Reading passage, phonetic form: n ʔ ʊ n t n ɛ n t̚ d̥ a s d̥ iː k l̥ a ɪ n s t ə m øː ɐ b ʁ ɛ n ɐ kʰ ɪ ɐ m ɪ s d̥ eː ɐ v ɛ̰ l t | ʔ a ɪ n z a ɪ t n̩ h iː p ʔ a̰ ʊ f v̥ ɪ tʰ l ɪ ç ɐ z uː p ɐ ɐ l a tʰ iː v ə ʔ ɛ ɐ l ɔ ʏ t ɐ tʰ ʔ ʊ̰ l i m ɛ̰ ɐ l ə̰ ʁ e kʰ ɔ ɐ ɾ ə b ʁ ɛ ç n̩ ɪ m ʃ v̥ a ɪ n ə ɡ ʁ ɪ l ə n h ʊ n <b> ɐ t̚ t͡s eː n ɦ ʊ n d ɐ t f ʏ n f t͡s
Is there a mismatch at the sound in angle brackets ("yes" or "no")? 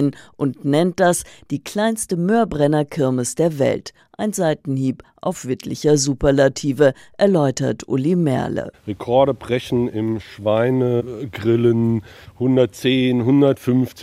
yes